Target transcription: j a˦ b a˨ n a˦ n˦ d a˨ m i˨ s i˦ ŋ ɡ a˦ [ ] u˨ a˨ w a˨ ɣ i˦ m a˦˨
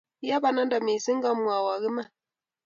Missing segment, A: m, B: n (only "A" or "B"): A